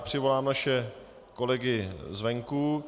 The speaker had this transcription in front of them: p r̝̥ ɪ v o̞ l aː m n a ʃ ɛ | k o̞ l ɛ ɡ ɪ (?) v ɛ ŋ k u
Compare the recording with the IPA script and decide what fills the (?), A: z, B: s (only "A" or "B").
A